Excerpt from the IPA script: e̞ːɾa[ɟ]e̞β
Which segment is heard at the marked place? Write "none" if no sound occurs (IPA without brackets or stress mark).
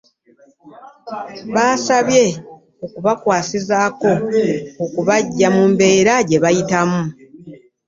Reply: ɟ